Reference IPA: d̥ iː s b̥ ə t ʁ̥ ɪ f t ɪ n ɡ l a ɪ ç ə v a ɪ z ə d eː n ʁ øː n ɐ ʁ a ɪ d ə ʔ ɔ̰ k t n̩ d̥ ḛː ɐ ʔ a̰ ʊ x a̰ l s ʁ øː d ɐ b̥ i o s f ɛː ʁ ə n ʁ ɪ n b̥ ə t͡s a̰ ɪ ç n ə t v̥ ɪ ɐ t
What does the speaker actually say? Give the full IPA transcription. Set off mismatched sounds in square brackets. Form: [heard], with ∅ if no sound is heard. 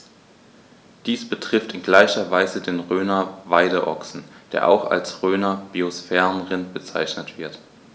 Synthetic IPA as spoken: d̥ iː s b̥ ə t ʁ̥ ɪ f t ɪ n ɡ l a ɪ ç [ɐ] v a ɪ z ə d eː n ʁ øː n ɐ [v] a ɪ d ə ʔ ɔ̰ k [s] n̩ d̥ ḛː ɐ ʔ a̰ ʊ x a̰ l s ʁ øː [n] ɐ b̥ i o s f ɛː ʁ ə n ʁ ɪ n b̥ ə t͡s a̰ ɪ ç n ə t v̥ ɪ ɐ t